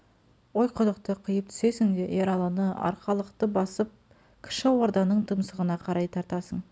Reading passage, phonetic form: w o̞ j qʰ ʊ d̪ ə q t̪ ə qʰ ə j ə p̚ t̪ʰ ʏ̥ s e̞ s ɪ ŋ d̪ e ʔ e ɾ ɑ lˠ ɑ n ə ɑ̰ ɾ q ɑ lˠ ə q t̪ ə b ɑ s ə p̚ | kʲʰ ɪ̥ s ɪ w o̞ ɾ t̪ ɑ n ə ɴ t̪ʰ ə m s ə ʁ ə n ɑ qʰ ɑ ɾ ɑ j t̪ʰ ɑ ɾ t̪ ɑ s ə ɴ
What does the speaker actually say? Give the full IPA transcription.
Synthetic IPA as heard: w o̞ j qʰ ʊ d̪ ə q t̪ ə qʰ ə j ə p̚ t̪ʰ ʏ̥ s e̞ s ɪ ŋ d̪ e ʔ e ɾ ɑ lˠ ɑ n ə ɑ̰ ɾ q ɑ lˠ ə q t̪ ə b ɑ s ə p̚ | kʲʰ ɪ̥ ʃ ɪ w o̞ ɾ d̪ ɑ n ə ɴ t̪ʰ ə m s ə ʁ ə n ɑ qʰ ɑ ɾ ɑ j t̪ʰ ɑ ɾ t̪ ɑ s ə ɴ